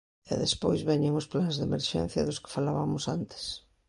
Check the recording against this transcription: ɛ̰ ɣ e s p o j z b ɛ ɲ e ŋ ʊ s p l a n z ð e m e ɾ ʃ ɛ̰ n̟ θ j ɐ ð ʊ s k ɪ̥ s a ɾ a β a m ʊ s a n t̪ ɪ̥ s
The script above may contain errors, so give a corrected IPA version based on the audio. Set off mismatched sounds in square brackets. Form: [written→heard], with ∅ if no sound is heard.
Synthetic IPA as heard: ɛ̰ [ɣ→ð] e s p o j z [b→β] ɛ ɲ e ŋ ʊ s p l a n z ð e m e ɾ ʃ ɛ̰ n̟ θ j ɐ ð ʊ s k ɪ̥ [s→f] a [ɾ→l] a β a m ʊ s a n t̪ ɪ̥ s